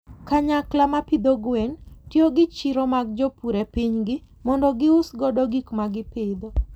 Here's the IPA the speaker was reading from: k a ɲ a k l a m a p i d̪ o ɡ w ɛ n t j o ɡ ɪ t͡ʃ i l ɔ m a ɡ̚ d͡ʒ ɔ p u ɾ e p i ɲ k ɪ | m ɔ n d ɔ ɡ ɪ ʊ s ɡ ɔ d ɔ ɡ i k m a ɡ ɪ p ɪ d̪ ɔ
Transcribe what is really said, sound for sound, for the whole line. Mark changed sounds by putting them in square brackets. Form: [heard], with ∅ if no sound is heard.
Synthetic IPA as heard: k a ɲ a k l a m a p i d̪ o ɡ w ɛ n t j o ɡ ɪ t͡ʃ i [ɾ] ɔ m a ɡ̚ d͡ʒ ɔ p u ɾ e p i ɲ [ɡ] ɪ | m ɔ n d ɔ ɡ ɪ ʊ s ɡ ɔ d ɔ ɡ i k m a ɡ ɪ p ɪ d̪ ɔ